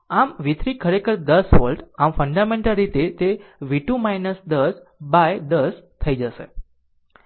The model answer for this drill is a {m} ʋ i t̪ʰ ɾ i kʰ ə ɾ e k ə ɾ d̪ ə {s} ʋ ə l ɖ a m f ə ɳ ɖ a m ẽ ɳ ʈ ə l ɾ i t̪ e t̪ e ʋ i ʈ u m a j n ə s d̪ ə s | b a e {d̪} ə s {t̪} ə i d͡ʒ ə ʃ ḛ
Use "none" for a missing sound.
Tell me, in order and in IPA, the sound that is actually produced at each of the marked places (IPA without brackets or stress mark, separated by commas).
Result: m, s, d̪, t̪ʰ